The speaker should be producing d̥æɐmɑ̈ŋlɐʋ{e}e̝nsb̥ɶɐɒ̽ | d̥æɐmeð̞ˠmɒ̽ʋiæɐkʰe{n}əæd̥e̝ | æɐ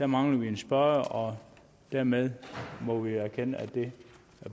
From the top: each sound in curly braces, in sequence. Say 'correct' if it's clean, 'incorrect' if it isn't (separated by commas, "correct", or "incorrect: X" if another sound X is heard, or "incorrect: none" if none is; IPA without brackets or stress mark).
incorrect: i, correct